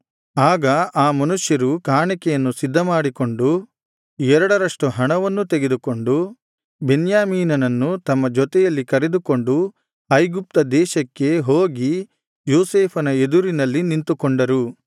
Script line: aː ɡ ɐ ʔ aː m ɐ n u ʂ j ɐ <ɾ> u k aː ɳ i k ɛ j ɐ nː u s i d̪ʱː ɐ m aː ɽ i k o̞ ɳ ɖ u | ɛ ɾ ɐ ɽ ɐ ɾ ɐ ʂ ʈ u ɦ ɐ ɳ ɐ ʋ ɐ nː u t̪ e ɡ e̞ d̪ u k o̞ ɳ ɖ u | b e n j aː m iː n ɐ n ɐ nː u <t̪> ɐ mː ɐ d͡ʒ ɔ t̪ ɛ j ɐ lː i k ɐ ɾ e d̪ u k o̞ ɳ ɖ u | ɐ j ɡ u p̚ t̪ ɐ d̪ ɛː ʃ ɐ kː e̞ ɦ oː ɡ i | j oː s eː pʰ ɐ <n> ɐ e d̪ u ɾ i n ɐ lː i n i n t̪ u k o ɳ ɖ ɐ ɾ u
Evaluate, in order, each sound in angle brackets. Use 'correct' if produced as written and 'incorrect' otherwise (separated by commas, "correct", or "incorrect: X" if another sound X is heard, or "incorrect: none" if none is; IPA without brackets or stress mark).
correct, correct, correct